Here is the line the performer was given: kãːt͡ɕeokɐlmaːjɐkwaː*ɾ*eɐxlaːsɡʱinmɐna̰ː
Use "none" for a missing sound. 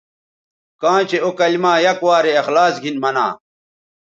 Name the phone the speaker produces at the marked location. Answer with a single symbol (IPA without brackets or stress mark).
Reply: ɾ